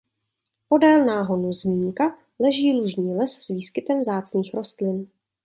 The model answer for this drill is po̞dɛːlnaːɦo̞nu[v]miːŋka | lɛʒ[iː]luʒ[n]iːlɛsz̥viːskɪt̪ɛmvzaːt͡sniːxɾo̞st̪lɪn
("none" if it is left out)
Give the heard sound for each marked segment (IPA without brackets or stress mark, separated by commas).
z, iː, ɲ